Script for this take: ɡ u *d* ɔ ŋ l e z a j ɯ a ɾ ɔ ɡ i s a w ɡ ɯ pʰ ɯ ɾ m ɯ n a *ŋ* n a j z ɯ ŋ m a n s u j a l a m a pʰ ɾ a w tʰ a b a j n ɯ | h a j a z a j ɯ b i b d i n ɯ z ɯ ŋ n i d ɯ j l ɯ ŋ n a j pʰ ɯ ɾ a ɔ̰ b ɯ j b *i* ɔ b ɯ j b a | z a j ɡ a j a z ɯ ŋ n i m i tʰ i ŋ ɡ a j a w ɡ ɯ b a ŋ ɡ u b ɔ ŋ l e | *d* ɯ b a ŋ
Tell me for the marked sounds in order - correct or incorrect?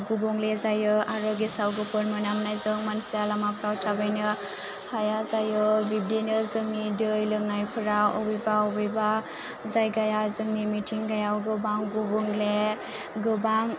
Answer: incorrect: b, incorrect: m, incorrect: a, incorrect: ɡ

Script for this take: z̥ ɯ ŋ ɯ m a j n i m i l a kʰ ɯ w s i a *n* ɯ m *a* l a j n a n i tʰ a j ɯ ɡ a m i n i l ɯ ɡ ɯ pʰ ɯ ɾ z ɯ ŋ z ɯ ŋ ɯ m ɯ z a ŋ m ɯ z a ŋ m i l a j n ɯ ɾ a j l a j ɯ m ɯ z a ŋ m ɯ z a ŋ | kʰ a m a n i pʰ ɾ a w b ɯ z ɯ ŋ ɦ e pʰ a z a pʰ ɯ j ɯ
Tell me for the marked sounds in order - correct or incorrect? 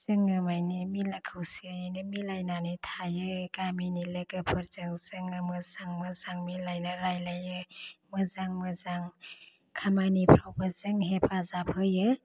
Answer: correct, incorrect: i

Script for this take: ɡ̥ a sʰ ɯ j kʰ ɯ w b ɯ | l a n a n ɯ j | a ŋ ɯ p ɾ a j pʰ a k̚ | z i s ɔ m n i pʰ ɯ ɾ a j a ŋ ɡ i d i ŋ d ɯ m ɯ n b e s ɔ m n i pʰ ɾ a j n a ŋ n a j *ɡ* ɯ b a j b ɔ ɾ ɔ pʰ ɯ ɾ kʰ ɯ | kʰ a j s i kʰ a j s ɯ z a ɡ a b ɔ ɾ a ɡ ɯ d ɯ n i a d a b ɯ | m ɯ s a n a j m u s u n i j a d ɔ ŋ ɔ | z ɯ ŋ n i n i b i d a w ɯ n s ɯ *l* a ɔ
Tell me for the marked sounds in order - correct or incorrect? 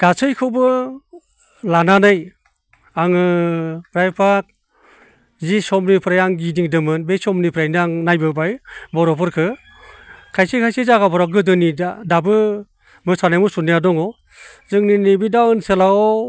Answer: incorrect: b, correct

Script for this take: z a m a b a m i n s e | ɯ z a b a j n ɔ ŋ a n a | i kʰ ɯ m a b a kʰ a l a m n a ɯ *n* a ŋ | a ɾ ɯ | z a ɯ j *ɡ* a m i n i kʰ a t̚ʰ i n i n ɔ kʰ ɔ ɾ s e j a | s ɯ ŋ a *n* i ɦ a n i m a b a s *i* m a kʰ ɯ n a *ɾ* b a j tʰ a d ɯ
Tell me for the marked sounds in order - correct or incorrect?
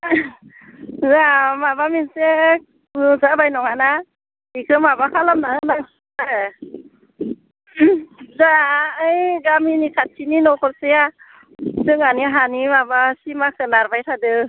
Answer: correct, correct, correct, correct, correct

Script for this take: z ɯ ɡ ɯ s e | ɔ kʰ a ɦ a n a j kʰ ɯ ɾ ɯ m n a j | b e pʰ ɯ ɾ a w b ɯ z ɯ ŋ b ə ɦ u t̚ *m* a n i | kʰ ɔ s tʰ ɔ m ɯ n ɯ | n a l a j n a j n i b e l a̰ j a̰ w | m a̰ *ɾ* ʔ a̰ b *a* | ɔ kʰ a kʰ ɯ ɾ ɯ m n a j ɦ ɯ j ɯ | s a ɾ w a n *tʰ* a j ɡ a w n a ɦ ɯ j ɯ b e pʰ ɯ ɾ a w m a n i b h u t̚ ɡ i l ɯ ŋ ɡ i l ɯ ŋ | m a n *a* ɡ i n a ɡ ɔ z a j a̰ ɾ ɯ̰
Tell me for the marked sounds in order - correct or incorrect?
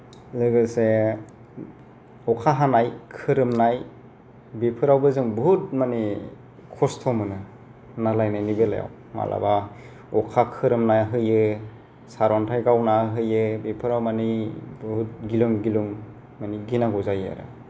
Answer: correct, incorrect: l, correct, correct, incorrect: i

